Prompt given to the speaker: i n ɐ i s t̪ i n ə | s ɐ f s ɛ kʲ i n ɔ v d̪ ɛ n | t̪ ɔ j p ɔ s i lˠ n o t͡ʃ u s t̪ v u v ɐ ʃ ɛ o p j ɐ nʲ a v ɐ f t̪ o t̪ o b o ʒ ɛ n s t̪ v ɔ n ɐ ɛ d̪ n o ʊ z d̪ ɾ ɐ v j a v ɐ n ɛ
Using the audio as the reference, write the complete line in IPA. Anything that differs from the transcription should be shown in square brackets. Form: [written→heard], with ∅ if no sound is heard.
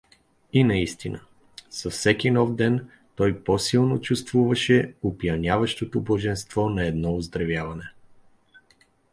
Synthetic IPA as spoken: i n ɐ i s t̪ i n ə | s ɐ f s ɛ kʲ i n ɔ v d̪ ɛ n | t̪ ɔ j p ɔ s i lˠ n o t͡ʃ u s t̪ v u v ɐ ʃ ɛ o p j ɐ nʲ a v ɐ [f→ʃ] t̪ o t̪ o b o ʒ ɛ n s t̪ v ɔ n ɐ ɛ d̪ n [o→ɔ] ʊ z d̪ ɾ ɐ v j a v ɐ n ɛ